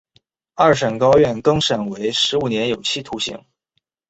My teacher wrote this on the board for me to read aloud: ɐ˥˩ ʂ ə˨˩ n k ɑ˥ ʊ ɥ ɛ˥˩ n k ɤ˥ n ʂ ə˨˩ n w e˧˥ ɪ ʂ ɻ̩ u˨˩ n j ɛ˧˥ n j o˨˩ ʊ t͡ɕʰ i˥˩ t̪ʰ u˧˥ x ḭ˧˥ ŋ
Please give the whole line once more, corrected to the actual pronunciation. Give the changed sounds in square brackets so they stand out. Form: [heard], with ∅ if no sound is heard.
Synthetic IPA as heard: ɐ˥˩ ʂ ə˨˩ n k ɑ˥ ʊ ɥ ɛ˥˩ n k ɤ˥ [ŋ] ʂ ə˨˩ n w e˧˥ ɪ ʂ ɻ̩ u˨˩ n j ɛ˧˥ n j o˨˩ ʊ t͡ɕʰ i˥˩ t̪ʰ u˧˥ [ɕ] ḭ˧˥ ŋ